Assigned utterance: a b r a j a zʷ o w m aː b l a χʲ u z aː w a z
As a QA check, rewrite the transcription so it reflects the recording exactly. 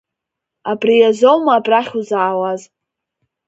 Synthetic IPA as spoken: a b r i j a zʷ o w m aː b r a χʲ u z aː w a z